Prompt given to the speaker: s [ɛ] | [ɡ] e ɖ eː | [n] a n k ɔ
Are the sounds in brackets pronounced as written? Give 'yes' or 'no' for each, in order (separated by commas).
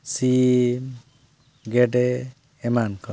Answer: no, yes, no